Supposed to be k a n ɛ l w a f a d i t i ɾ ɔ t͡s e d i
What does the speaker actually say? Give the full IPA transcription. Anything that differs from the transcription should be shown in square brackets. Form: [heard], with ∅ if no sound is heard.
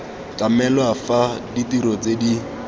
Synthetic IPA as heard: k a [m] ɛ l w a f a d i t i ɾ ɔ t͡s e d i